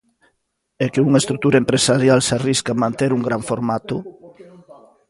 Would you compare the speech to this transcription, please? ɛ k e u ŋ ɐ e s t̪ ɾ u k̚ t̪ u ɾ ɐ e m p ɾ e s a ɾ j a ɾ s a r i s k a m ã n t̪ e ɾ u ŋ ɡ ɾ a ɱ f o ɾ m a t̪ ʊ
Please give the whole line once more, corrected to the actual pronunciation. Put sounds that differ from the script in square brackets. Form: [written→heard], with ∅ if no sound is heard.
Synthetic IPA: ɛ k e u ŋ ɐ e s t̪ ɾ u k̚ t̪ u ɾ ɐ e m p ɾ e s a ɾ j a [ɾ→l] s a r i s k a m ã n t̪ e ɾ u ŋ ɡ ɾ a ɱ f o ɾ m a t̪ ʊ